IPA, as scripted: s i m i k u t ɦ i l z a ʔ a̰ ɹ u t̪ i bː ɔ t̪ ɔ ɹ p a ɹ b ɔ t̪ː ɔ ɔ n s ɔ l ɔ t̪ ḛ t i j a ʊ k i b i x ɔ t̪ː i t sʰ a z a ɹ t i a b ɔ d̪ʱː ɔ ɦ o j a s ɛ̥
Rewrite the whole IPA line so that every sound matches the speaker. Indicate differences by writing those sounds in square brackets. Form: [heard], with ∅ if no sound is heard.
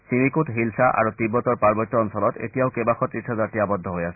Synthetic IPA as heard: s i m i k u t ɦ i l [s] a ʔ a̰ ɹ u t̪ i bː ɔ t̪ ɔ ɹ p a ɹ b ɔ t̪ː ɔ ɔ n s ɔ l ɔ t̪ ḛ t i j a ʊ k [e] b [a] x ɔ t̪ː i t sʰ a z a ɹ t i a b ɔ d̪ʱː ɔ ɦ o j a s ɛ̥